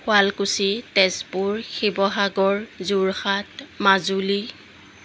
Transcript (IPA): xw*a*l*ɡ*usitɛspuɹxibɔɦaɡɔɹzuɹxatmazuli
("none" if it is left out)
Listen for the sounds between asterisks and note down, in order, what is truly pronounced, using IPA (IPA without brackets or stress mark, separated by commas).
a, k